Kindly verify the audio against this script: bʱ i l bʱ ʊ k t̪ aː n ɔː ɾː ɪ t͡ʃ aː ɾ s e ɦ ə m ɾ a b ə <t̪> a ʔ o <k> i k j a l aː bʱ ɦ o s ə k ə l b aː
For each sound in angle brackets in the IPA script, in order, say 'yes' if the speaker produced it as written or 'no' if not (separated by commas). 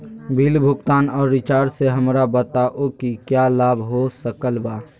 yes, yes